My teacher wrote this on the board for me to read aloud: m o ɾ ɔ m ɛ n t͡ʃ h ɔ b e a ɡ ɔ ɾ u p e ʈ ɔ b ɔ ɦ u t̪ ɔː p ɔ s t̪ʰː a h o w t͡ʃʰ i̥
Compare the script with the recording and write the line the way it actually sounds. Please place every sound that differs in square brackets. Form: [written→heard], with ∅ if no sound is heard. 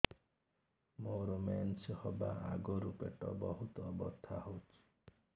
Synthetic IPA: m o ɾ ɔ m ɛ n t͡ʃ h ɔ b [e→a] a ɡ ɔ ɾ u p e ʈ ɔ b ɔ ɦ u t̪ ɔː [p→b] ɔ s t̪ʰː a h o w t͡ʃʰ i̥